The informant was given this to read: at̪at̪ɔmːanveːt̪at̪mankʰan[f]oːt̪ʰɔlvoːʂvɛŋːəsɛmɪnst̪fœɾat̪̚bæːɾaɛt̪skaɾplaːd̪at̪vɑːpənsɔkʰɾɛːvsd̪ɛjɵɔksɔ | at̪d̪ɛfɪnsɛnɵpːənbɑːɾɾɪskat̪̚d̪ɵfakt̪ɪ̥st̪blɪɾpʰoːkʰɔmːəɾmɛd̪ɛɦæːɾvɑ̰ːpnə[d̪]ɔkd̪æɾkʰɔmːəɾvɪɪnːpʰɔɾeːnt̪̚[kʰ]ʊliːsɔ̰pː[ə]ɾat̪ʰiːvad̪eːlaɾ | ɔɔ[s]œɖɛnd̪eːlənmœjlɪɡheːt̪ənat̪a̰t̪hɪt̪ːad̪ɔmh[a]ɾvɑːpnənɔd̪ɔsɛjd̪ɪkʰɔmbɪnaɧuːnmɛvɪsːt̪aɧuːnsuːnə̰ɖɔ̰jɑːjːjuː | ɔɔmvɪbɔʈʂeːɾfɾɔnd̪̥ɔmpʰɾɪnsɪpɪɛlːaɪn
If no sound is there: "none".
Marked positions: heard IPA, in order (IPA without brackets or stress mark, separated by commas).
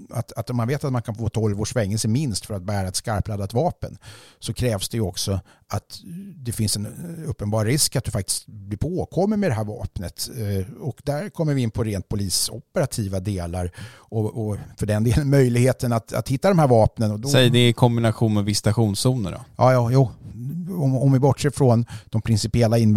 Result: f, t̪, pʰ, ə, f, æ